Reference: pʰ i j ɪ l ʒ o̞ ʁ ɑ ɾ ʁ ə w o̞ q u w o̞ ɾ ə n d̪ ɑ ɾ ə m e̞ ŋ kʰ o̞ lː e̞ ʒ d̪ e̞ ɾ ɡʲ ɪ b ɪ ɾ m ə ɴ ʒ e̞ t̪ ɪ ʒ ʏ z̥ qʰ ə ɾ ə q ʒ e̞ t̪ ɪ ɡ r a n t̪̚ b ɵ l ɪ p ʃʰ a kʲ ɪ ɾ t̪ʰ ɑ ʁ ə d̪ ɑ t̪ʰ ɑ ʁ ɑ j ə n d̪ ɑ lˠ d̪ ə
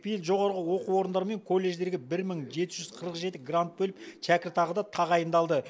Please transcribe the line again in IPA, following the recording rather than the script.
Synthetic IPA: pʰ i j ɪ l ʒ o̞ ʁ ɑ ɾ ʁ ə w o̞ q u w o̞ ɾ ə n d̪ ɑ ɾ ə m e̞ ŋ kʰ o̞ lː e̞ ʒ d̪ e̞ ɾ ɡʲ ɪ b ɪ ɾ m ə ɴ ʒ e̞ t̪ ɪ ʒ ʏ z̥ qʰ ə ɾ ə q ʒ e̞ t̪ ɪ ɡ r a n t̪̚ b ɵ l ɪ p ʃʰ æ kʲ ɪ ɾ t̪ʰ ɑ ʁ ə d̪ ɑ t̪ʰ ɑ ʁ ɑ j ə n d̪ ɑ lˠ d̪ ə